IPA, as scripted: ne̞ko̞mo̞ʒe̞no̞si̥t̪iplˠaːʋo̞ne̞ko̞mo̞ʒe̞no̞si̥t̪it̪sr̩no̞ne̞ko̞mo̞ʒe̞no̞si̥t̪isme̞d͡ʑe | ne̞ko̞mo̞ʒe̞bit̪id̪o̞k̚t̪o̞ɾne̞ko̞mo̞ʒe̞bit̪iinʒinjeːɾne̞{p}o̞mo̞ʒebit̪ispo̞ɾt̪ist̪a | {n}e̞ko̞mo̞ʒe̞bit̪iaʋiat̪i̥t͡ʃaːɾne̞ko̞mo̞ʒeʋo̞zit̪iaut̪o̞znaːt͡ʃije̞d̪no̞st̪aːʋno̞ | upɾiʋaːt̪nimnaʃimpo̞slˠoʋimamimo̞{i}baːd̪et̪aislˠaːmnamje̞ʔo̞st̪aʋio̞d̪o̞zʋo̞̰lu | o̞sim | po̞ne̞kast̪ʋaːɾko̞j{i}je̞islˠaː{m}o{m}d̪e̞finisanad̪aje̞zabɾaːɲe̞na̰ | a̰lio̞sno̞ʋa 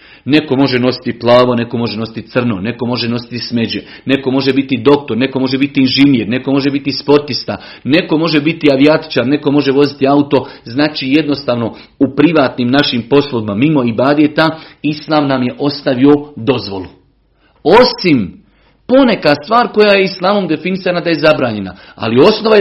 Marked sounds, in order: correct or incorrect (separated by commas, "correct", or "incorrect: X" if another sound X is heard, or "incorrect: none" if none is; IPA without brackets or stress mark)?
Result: incorrect: k, correct, correct, incorrect: a, correct, correct